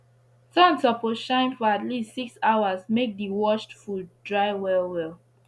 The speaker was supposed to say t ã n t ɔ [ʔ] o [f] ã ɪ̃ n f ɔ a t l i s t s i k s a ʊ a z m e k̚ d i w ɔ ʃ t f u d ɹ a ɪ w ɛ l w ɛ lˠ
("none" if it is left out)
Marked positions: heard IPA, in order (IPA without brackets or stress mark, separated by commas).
p, ʃ